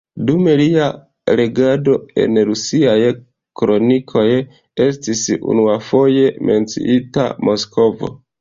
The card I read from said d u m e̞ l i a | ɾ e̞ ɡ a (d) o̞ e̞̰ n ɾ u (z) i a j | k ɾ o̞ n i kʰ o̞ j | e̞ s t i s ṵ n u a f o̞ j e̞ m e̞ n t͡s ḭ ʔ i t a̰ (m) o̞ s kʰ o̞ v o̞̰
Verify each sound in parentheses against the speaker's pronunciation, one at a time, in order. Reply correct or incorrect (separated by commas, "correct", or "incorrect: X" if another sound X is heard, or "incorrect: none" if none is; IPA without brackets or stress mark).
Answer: correct, incorrect: s, correct